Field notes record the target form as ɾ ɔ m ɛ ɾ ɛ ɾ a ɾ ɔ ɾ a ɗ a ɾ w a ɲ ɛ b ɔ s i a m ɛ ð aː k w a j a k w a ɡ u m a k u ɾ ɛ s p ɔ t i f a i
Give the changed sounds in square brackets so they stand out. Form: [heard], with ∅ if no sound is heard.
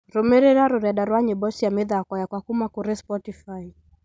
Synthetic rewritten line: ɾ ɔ m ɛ ɾ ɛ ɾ a ɾ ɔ ɾ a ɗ a ɾ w a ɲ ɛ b ɔ s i a m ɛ ð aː k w a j a k w a [k] u m a k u ɾ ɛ s p ɔ t i f a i